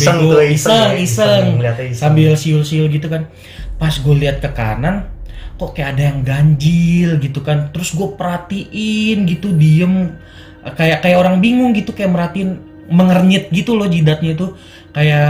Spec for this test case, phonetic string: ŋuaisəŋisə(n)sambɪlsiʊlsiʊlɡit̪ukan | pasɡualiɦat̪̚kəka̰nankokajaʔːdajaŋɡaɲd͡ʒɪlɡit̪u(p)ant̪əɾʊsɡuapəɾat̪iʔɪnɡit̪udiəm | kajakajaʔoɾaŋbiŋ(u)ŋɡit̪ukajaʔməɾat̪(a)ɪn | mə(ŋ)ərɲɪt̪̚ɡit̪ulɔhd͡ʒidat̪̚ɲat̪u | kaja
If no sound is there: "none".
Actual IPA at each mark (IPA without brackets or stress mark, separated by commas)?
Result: ŋ, k, ʊ, i, ŋ